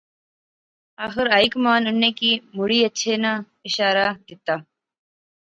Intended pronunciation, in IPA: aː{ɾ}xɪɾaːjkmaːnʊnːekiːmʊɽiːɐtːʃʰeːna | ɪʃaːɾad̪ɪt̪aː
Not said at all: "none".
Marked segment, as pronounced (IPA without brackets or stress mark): none